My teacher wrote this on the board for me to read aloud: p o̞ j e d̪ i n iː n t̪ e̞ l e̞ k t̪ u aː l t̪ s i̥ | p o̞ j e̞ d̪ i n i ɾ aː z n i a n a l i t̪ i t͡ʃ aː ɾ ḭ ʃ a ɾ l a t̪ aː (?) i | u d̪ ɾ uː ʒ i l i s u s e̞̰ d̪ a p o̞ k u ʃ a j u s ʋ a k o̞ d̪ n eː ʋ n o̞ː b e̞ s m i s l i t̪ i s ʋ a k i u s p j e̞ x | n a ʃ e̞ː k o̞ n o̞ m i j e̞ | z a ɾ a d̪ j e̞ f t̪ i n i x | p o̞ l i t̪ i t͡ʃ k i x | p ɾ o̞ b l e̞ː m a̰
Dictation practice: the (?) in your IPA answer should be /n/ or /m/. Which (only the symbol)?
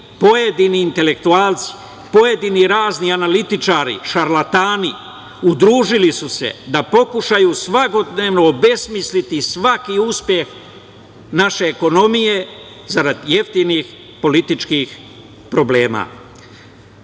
n